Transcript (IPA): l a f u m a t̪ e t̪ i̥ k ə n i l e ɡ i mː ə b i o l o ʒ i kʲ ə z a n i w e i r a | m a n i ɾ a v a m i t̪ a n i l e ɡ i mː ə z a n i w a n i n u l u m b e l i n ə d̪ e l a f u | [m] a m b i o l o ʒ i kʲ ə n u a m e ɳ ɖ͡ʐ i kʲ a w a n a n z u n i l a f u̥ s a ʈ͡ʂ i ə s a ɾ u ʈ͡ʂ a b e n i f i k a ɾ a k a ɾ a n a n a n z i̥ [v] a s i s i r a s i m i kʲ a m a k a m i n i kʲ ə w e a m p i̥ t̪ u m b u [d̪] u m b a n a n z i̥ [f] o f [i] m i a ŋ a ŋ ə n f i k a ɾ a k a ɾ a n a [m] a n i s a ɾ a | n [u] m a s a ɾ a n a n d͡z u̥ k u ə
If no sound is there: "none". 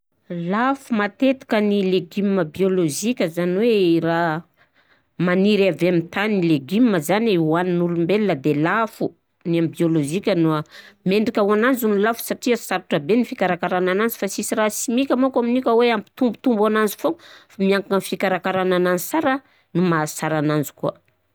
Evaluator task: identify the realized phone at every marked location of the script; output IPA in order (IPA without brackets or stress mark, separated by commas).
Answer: n, f, t̪, f, a, n, u